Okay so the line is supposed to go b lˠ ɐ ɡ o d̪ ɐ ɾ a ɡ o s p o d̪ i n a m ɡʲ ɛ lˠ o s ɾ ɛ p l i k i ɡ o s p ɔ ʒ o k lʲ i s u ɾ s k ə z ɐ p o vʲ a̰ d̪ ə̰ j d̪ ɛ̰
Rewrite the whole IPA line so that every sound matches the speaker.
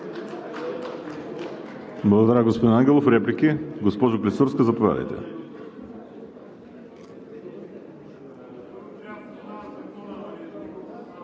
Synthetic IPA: b lˠ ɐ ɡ o d̪ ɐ ɾ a ɡ o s p o d̪ i n a ŋ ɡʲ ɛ lˠ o f ɾ ɛ p l i k i ɡ o s p ɔ ʒ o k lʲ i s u ɾ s k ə z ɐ p o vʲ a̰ d̪ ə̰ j t̪ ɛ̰